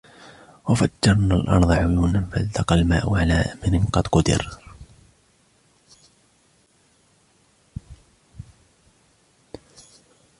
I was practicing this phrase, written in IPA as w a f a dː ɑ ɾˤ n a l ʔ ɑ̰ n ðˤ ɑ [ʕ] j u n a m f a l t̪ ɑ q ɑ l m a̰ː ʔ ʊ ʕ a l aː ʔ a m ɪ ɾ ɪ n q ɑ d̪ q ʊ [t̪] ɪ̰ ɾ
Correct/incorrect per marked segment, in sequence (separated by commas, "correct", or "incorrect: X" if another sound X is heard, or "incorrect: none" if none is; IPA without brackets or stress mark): correct, incorrect: d̪